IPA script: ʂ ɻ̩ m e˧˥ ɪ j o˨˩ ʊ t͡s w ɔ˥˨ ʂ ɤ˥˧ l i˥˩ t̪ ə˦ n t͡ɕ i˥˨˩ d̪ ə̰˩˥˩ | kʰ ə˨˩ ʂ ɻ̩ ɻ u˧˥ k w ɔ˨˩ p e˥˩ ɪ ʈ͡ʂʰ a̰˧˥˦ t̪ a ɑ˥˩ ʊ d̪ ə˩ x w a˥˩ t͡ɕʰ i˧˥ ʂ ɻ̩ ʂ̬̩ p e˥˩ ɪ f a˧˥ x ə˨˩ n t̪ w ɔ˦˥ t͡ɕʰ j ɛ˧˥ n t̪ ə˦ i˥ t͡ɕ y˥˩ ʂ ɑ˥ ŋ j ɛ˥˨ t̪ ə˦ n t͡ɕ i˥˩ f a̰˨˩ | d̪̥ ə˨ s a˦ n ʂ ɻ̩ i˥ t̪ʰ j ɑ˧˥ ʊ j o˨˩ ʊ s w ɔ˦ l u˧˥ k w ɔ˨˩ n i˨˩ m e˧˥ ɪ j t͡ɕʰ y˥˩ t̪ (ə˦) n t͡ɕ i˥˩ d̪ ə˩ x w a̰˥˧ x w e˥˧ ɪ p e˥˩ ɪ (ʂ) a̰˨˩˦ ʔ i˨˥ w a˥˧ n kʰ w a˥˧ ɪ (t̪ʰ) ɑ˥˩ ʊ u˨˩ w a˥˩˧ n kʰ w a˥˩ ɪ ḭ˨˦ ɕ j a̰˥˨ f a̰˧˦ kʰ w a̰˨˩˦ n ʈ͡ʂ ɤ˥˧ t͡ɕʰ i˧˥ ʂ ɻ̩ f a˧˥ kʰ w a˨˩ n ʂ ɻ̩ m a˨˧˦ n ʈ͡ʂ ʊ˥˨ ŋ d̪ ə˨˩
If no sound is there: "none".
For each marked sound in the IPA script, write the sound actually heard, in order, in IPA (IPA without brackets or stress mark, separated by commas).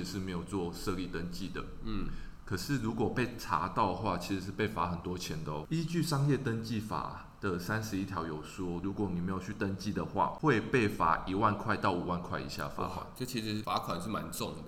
ə˦, f, t̪